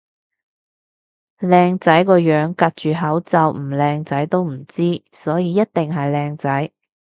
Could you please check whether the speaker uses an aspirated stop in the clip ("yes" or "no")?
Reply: no